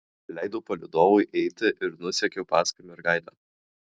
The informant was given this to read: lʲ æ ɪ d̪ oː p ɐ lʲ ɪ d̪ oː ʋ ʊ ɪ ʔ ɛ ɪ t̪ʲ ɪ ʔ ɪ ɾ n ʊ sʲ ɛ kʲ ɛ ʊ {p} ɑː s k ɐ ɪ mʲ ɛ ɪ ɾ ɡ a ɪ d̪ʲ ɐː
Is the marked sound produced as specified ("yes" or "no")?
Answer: yes